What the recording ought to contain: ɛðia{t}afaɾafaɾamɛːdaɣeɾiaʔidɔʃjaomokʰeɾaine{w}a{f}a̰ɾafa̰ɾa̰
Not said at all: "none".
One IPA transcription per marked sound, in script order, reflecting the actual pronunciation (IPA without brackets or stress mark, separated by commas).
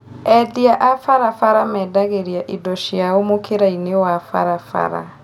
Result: ʔ, w, f